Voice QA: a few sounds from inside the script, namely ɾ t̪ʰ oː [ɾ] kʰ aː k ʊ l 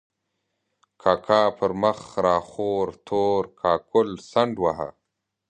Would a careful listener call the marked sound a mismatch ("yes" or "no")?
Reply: no